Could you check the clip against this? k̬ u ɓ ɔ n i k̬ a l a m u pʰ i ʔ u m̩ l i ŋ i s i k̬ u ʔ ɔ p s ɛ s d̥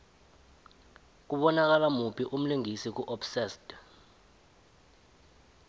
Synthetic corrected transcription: k̬ u ɓ ɔ n a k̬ a l a m u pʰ i ʔ u m̩ l i ŋ i s i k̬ u ʔ ɔ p s ɛ s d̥